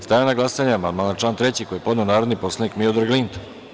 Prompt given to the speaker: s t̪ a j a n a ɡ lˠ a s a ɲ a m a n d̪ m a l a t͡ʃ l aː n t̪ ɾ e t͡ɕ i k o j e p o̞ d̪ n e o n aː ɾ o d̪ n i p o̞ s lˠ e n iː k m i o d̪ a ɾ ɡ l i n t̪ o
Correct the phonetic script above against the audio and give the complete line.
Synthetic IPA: s t̪ a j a n a ɡ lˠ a s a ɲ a m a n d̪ m a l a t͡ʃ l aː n t̪ ɾ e t͡ɕ i k o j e p o̞ d̪ n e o n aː ɾ o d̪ n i p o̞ s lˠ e n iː k m i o d̪ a ɾ ɡ l i n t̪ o

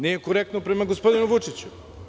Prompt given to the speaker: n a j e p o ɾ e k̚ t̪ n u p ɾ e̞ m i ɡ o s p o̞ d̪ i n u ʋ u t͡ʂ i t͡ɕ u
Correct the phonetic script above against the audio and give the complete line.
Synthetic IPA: n i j e k o ɾ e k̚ t̪ n o p ɾ e̞ m a ɡ o s p o̞ d̪ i n u ʋ u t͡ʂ i t͡ɕ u

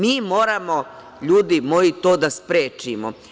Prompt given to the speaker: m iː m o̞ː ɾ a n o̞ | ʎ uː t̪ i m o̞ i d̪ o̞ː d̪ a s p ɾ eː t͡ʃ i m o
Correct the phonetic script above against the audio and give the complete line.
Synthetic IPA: m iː m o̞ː ɾ a m o̞ | ʎ uː d̪ i m o̞ i t̪ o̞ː d̪ a s p ɾ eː t͡ʃ i m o

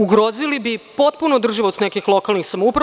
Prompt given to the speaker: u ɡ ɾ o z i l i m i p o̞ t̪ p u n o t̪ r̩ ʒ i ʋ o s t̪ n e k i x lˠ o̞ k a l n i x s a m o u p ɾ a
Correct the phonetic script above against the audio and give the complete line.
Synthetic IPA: u ɡ ɾ o z i l i b i p o̞ t̪ p u n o d̪ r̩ ʒ i ʋ o s t̪ n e k i x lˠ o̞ k a l n i x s a m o u p ɾ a

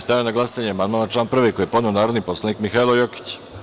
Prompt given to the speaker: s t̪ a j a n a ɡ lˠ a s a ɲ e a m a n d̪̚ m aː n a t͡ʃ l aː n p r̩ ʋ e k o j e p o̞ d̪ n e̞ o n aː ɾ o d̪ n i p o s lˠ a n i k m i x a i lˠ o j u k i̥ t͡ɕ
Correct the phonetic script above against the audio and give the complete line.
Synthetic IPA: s t̪ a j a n a ɡ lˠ a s a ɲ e a m a n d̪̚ m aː n a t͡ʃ l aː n p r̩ ʋ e k o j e p o̞ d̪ n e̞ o n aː ɾ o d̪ n i p o s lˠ a n i k m i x a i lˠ o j o k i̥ t͡ɕ

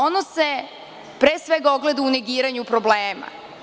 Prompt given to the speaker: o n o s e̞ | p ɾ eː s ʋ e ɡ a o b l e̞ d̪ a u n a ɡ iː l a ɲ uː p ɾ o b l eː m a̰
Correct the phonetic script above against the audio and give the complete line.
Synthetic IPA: o n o s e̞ | p ɾ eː s ʋ e ɡ a o ɡ l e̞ d̪ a u n e ɡ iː ɾ a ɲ u p ɾ o b l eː m a̰

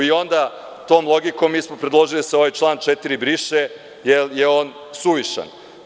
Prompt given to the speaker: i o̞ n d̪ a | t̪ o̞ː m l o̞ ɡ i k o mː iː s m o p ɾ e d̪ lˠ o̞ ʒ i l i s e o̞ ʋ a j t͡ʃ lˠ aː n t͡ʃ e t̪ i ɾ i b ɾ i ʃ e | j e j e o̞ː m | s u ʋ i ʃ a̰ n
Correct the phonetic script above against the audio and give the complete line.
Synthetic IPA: i o̞ n d̪ a | t̪ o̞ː m l o̞ ɡ i k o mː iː s m o p ɾ e d̪ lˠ o̞ ʒ i l i s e o̞ ʋ a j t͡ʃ lˠ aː n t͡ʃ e t̪ i ɾ i b ɾ i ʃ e | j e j e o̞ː n | s u ʋ i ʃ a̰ n

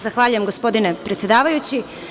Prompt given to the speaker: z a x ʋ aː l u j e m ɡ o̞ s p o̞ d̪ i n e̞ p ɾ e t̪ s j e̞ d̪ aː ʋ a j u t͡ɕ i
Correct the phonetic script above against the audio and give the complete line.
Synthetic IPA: z a x ʋ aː ʎ u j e m ɡ o̞ s p o̞ d̪ i n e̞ p ɾ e t̪ s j e̞ d̪ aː ʋ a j u t͡ɕ i

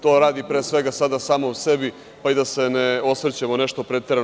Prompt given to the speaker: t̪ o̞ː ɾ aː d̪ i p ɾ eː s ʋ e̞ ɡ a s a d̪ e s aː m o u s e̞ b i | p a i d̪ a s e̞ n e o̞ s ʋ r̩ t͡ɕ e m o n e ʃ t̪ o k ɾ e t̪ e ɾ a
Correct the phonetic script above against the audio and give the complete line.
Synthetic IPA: t̪ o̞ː ɾ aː d̪ i p ɾ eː s ʋ e̞ ɡ a s a d̪ a s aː m o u s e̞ b i | p a i d̪ a s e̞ n e o̞ s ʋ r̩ t͡ɕ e m o n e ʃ t̪ o p ɾ e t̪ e ɾ a

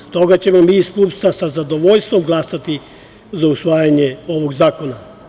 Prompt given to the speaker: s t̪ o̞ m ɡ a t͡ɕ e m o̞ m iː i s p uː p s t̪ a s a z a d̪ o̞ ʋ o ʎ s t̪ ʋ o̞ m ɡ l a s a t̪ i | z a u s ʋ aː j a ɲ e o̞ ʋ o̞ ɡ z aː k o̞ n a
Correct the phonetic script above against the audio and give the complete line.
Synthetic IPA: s t̪ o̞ ɡ a t͡ɕ e m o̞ m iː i s p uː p s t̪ a s a z a d̪ o̞ ʋ o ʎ s t̪ ʋ o̞ m ɡ l a s a t̪ i | z a u s ʋ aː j a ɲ e o̞ ʋ o̞ ɡ z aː k o̞ n a

